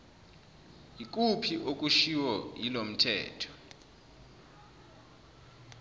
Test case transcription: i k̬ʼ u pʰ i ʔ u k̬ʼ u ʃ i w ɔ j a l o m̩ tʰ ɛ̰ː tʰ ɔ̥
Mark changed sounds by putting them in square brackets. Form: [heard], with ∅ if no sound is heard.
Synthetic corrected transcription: i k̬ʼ u pʰ i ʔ [o] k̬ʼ u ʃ i w ɔ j [i] l o m̩ tʰ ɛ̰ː tʰ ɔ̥